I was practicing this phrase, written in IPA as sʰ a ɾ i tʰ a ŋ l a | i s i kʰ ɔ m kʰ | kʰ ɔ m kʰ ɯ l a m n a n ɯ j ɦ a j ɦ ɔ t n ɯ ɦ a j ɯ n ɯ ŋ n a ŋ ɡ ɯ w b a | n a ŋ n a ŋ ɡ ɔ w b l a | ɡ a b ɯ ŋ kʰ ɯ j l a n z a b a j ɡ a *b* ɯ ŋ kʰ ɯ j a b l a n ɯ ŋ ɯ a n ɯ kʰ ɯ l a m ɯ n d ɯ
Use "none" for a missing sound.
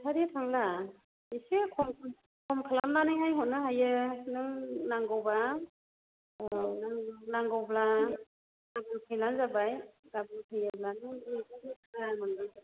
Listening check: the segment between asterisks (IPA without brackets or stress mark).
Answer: b